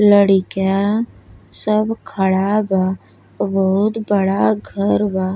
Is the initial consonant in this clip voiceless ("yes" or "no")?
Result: no